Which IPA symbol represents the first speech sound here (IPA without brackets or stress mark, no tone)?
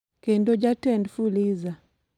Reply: k